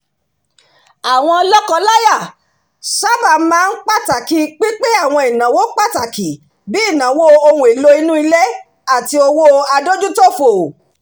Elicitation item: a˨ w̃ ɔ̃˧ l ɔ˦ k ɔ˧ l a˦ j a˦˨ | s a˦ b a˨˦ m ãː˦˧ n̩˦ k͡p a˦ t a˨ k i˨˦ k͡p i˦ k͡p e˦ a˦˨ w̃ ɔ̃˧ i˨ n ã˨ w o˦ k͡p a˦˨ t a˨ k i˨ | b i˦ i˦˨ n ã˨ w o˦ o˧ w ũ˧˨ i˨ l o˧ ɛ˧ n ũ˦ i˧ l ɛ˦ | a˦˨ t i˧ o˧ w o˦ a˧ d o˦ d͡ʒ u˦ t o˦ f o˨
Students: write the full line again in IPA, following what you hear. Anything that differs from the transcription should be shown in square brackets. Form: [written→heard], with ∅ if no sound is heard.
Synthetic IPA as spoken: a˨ w̃ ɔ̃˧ l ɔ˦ k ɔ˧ l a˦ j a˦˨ | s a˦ b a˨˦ m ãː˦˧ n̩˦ k͡p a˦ t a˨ k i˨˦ k͡p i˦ k͡p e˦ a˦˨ w̃ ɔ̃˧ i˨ n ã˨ w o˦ k͡p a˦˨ t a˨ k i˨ | b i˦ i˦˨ n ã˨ w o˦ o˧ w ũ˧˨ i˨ l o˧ [ɛ˧→i˧] n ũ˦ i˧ l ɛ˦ | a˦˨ t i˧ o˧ w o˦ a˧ d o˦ d͡ʒ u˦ t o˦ f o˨